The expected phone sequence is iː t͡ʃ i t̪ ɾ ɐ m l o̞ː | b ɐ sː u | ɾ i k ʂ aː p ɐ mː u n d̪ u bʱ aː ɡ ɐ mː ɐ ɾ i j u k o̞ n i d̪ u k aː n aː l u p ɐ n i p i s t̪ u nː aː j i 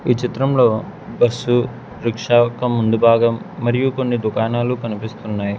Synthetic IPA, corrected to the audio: iː t͡ʃ i t̪ ɾ ɐ m l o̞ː | b ɐ sː u | ɾ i k ʂ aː k ɐ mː u n d̪ u bʱ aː ɡ ɐ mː ɐ ɾ i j u k o̞ nː i d̪ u k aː n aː l u k ɐ n i p i s t̪ u nː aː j i